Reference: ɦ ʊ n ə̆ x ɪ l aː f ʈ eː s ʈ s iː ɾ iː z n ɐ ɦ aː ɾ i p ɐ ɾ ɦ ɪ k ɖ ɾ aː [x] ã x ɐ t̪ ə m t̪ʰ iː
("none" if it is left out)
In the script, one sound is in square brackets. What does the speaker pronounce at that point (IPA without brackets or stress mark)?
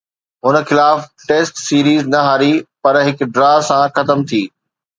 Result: s